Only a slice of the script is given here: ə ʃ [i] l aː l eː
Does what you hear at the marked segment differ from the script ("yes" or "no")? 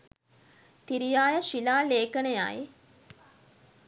no